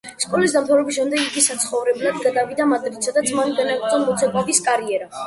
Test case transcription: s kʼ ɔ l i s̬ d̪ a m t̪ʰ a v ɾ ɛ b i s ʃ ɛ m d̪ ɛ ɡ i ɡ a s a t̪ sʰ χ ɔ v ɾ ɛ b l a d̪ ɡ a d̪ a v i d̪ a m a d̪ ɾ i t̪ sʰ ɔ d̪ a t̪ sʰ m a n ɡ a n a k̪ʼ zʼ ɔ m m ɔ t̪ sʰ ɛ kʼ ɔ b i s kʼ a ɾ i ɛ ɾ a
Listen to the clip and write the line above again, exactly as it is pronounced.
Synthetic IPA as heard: s kʼ ɔ l i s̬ d̪ a m t̪ʰ a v ɾ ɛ b i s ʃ ɛ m d̪ ɛ ɡ i ɡ i s a t̪ sʰ χ ɔ v ɾ ɛ b l a d̪ ɡ a d̪ a v i d̪ a m a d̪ ɾ i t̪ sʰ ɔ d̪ a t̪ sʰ m a n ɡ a n a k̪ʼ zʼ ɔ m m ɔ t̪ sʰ ɛ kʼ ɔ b i s kʼ a ɾ i ɛ ɾ a